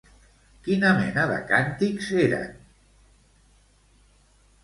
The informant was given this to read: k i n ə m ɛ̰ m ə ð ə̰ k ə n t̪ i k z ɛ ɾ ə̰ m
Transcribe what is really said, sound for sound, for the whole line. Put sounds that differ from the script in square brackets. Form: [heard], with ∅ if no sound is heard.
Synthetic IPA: k i n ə m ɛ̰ [n] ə ð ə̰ k [a] n t̪ i k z [e] ɾ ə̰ [n]